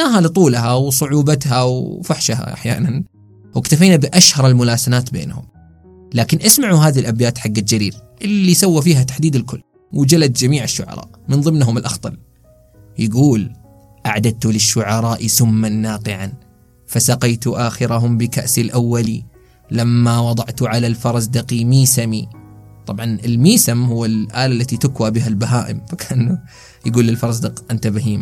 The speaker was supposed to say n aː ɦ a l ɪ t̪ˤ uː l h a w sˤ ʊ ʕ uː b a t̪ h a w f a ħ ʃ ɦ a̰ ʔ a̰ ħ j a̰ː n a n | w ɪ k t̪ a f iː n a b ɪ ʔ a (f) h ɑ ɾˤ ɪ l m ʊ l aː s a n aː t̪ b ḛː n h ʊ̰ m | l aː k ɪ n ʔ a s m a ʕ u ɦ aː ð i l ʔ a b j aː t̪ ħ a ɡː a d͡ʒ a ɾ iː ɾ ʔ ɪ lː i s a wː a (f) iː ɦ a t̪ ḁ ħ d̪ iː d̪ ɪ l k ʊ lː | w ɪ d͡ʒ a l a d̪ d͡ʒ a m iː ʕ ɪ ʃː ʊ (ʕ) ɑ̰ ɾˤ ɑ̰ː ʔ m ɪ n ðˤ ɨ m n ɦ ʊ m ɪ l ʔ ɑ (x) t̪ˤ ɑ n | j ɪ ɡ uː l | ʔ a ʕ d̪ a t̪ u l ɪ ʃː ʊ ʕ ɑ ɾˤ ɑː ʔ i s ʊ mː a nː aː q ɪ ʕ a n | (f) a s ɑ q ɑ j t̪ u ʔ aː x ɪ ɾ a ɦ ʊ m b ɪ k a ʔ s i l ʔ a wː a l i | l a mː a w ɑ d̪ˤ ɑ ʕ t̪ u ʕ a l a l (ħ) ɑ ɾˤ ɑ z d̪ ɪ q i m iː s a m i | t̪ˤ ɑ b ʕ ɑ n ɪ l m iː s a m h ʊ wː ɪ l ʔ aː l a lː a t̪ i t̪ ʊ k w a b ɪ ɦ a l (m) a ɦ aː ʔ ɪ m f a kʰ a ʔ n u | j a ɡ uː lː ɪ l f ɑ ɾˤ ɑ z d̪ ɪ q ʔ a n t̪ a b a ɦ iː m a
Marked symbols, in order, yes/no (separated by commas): no, yes, yes, yes, yes, no, no